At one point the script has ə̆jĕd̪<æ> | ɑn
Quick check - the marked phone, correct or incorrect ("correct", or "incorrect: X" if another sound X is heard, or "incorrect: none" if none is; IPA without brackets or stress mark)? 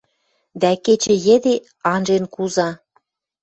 incorrect: e